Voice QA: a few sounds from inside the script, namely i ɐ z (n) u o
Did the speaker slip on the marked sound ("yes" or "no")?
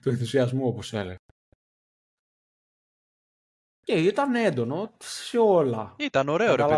yes